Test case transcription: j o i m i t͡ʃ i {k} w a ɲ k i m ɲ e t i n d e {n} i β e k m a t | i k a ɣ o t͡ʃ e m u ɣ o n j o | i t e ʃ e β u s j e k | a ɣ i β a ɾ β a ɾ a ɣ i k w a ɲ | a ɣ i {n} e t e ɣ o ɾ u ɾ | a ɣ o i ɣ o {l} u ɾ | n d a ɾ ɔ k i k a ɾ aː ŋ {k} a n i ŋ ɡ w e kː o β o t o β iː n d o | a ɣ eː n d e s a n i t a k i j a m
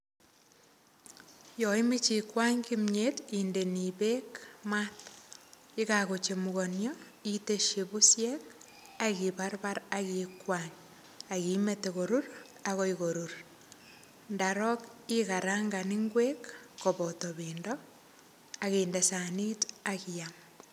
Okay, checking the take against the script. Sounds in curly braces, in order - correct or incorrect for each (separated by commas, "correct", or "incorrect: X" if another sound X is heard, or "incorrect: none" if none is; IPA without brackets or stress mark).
correct, correct, incorrect: m, incorrect: ɾ, incorrect: ɡ